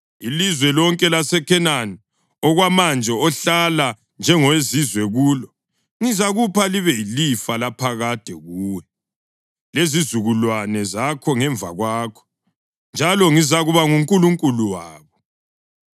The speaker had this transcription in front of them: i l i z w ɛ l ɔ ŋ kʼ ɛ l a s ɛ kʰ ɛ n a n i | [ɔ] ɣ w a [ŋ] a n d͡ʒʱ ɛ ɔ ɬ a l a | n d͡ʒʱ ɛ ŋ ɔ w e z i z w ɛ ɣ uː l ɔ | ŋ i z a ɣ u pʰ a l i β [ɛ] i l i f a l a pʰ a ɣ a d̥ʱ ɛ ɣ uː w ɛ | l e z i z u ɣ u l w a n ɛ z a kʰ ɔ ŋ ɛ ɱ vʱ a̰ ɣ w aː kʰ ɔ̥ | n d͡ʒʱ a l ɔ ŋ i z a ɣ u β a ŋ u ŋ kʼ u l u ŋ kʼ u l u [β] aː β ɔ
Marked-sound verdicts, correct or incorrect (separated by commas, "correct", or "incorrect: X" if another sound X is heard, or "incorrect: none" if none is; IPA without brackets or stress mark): correct, incorrect: m, correct, incorrect: w